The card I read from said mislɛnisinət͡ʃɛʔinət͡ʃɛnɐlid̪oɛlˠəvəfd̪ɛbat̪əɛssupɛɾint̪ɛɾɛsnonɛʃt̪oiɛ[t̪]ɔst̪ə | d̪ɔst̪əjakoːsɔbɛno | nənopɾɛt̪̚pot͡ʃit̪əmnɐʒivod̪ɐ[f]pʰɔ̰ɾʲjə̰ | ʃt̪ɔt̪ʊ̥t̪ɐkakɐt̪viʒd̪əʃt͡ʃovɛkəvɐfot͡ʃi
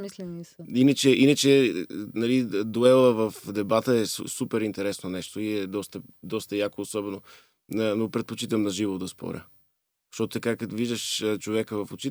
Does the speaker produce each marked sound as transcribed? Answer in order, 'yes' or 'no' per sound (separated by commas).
no, no